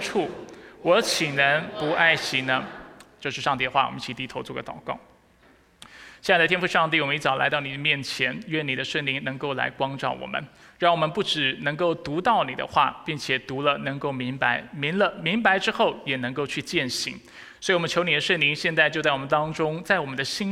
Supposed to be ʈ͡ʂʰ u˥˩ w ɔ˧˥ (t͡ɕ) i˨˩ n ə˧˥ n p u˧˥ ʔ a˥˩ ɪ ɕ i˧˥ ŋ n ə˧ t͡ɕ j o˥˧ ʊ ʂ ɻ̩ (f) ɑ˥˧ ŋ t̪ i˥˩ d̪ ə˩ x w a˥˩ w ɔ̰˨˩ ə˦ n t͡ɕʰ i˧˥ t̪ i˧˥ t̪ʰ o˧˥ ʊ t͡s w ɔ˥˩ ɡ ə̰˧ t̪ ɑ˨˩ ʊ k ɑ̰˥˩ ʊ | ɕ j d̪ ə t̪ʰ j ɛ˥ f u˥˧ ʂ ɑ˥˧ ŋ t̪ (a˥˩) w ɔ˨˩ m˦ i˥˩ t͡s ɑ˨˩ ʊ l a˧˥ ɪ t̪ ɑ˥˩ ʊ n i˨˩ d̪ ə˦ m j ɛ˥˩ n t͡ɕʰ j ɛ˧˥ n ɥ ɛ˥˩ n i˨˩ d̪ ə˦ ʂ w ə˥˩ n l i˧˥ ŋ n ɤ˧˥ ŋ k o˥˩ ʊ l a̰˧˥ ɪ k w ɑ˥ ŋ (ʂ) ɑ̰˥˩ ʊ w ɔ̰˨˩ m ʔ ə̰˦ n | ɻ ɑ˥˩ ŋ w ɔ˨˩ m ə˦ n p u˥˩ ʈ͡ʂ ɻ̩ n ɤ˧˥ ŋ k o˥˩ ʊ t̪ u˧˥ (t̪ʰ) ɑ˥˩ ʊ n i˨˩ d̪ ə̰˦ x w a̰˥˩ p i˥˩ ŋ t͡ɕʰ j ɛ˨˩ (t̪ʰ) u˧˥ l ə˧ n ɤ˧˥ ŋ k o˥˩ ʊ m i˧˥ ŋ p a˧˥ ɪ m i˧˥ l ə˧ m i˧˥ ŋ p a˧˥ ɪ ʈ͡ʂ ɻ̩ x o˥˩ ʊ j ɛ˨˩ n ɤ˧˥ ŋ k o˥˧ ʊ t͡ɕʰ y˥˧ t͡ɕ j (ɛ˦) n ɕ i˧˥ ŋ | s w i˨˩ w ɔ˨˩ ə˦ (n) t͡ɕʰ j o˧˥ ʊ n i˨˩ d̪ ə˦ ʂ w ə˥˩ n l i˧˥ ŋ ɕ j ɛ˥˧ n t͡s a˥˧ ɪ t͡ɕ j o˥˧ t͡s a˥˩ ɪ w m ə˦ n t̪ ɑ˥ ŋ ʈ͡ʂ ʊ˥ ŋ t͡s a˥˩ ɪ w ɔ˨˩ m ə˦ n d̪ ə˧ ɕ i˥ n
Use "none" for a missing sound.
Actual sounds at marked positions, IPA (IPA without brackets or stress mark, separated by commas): t͡ɕʰ, ʂ, i˥˩, ʈ͡ʂ, t̪, t̪, ɛ˥˩, n